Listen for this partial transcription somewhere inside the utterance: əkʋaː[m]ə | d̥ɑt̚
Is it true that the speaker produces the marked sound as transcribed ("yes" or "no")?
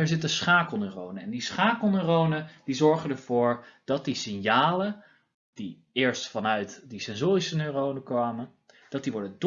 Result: yes